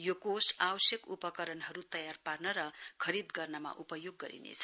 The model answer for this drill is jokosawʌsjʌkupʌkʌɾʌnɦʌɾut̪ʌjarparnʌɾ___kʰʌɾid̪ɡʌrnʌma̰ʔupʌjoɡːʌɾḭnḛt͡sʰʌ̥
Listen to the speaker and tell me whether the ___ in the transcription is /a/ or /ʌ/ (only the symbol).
ʌ